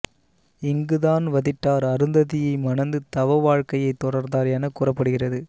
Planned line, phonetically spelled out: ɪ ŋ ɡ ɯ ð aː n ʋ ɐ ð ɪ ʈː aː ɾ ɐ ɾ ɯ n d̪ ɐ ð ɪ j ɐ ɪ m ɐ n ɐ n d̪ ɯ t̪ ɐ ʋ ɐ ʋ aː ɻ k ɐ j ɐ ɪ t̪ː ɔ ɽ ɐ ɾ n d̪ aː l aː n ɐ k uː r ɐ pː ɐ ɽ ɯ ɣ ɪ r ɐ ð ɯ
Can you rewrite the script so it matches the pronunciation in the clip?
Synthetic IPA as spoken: ɪ ŋ ɡ ɯ ð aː n ʋ ɐ ð ɪ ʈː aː ɾ ɐ ɾ ɯ n d̪ ɐ ð ɪ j ɐ ɪ m ɐ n ɐ n d̪ ɯ t̪ ɐ ʋ ɐ ʋ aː ɻ k ɐ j ɐ ɪ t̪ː ɔ ɽ ɐ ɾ n d̪ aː ɾ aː n ɐ k uː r ɐ pː ɐ ɽ ɯ ɣ ɪ r ɐ ð ɯ